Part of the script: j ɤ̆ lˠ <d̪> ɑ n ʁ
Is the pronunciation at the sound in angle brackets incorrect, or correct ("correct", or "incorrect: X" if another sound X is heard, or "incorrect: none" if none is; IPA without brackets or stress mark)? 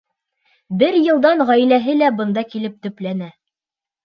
correct